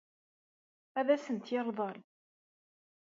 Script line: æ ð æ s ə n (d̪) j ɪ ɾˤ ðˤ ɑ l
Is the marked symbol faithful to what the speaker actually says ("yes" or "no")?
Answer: no